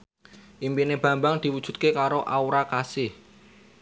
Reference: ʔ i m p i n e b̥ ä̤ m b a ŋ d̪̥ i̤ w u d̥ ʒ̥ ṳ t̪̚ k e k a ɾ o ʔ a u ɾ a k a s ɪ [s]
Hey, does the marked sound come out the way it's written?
no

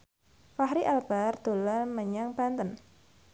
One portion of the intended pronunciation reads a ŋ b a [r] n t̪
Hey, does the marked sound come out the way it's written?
no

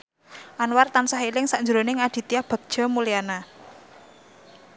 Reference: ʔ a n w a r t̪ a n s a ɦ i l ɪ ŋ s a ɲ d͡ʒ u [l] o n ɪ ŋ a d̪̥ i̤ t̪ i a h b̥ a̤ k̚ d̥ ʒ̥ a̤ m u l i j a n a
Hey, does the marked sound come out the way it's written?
no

